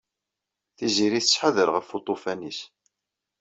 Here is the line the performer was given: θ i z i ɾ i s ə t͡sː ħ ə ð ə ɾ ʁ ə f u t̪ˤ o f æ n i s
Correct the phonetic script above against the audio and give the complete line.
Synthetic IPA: θ i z i ɾ i θ ə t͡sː ħ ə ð ə ɾ ʁ ə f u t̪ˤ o f æ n i s